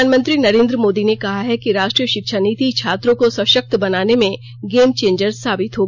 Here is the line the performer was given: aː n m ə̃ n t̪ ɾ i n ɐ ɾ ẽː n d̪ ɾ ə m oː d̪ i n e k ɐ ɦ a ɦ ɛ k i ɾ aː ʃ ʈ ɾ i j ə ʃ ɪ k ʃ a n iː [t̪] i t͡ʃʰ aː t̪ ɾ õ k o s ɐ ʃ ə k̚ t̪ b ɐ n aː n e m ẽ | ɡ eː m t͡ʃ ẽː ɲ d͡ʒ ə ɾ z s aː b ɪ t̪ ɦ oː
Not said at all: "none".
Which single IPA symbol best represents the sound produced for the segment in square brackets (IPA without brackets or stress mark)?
t̪